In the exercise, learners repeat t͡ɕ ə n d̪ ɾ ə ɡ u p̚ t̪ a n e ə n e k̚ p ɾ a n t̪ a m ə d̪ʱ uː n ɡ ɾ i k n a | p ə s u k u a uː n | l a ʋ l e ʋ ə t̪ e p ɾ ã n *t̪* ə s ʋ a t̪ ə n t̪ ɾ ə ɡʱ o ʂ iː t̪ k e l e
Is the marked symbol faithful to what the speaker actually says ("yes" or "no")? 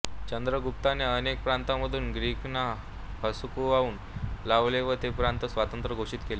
yes